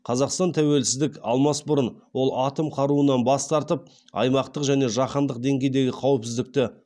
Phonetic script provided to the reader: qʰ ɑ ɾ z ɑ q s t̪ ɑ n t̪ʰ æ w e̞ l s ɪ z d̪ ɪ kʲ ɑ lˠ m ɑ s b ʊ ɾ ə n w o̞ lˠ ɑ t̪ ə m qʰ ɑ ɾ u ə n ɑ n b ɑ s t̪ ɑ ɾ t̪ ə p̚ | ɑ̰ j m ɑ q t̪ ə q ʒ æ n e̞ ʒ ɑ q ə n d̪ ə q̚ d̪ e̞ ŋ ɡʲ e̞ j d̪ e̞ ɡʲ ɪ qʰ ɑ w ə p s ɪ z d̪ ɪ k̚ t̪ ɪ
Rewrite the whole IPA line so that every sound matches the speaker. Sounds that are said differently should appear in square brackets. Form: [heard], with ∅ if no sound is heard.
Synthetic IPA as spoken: qʰ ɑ [∅] z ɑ q s t̪ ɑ n t̪ʰ æ w e̞ l s ɪ z d̪ ɪ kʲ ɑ lˠ m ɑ s b ʊ ɾ ə n w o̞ lˠ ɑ t̪ ə m qʰ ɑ ɾ u ə n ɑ n b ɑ s t̪ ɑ ɾ t̪ ə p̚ | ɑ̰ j m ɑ q t̪ ə q ʒ æ n e̞ ʒ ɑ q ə n d̪ ə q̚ d̪ e̞ ŋ ɡʲ e̞ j d̪ e̞ ɡʲ ɪ qʰ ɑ w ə p s ɪ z d̪ ɪ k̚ t̪ ɪ